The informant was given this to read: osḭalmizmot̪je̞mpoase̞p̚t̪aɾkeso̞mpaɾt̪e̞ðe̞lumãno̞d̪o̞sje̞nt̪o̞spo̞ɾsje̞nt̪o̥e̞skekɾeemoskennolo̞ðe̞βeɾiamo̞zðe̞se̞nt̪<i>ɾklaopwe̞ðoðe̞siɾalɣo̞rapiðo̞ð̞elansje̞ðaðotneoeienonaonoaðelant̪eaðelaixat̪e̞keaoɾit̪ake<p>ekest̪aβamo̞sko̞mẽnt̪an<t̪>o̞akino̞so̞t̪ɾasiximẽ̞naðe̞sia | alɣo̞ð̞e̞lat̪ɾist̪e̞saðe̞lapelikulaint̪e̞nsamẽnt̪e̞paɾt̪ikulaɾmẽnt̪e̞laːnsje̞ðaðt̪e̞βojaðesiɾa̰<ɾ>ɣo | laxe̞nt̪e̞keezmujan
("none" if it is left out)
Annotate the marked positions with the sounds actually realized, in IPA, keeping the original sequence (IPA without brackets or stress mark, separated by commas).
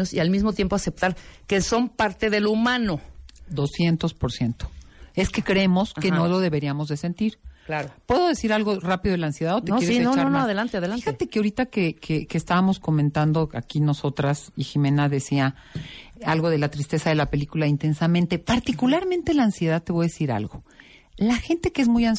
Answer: i, k, d̪, l